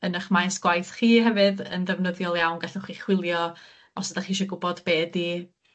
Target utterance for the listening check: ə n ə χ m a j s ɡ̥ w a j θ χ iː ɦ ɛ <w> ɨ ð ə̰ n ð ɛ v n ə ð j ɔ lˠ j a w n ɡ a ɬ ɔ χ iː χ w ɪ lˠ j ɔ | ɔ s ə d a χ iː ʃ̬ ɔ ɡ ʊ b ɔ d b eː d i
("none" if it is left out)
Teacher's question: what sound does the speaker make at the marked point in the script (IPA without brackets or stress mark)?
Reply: v